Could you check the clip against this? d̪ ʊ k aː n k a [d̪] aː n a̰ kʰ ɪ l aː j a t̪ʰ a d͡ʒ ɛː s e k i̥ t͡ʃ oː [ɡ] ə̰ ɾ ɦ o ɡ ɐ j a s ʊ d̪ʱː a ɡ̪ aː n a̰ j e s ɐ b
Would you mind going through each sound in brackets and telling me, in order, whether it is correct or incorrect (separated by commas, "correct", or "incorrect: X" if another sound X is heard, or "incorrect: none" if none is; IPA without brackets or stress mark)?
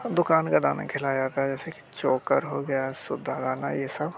correct, incorrect: k